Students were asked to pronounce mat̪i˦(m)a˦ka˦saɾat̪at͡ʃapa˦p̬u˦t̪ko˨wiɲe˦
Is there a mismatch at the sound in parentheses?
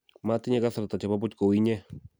yes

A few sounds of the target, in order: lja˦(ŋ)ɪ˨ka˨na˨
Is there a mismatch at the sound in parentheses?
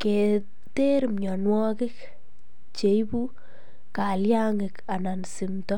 no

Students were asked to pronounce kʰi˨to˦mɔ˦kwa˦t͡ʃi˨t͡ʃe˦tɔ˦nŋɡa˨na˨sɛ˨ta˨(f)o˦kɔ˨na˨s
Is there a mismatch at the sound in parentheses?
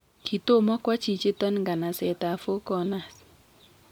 no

